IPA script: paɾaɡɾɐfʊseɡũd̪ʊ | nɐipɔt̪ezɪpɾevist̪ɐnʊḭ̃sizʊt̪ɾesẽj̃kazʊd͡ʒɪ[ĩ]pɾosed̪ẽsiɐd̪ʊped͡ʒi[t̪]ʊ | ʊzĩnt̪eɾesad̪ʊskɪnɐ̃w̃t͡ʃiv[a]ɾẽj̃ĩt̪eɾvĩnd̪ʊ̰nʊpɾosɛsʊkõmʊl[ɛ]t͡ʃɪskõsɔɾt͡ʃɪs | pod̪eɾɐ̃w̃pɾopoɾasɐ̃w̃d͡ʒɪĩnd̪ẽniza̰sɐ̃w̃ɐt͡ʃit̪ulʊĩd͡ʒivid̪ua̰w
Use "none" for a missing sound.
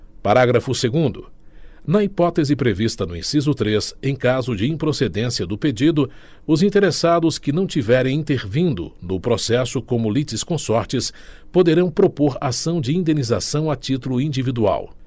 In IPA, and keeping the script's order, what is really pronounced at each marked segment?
ĩ, d̪, ɛ, i

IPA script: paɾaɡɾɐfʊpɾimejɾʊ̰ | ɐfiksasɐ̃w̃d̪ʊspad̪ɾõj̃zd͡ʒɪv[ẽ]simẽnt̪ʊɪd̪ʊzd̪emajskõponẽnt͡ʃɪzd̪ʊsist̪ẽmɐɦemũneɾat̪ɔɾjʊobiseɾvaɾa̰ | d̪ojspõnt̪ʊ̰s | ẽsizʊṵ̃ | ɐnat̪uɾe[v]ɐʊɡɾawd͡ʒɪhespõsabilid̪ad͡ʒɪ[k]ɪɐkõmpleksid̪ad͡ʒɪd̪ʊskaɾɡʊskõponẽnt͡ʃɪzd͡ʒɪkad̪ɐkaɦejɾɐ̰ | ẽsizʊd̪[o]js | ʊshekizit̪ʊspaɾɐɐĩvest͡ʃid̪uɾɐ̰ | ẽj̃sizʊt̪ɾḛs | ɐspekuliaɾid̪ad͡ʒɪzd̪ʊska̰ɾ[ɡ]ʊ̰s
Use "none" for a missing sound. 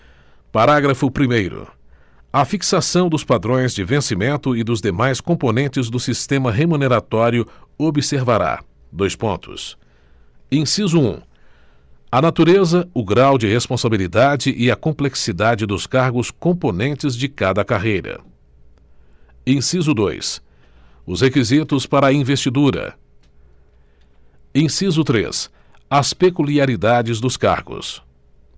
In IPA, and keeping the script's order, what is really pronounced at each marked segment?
ẽ, z, ʔ, o, ɡ

